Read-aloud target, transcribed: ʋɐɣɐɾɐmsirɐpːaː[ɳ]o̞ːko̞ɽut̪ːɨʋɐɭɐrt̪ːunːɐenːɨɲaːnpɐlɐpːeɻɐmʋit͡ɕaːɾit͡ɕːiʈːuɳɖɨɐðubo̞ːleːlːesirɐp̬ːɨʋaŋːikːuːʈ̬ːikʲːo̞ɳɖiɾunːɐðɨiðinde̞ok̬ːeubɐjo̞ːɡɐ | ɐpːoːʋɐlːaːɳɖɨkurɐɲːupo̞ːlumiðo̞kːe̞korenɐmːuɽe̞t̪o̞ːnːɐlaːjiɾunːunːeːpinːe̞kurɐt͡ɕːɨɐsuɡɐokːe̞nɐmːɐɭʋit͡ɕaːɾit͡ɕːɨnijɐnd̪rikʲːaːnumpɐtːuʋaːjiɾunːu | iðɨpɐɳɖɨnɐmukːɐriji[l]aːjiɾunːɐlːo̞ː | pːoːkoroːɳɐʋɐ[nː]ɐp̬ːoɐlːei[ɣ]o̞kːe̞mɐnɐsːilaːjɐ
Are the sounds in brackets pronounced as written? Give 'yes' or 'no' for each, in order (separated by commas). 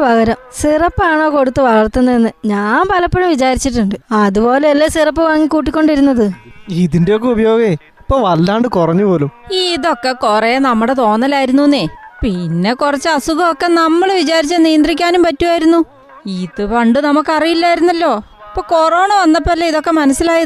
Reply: yes, no, yes, no